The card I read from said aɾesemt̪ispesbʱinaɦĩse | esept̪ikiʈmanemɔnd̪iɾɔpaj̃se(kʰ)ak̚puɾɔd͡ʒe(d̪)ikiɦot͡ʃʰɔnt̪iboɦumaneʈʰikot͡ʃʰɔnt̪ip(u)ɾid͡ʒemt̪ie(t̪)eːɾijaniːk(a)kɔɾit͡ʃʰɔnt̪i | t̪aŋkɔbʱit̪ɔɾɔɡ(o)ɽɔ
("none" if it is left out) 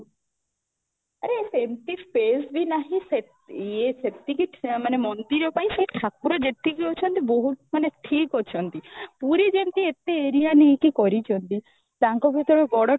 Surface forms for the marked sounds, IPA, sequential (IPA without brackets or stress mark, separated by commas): ʈʰ, t̪, u, t̪, i, ɔ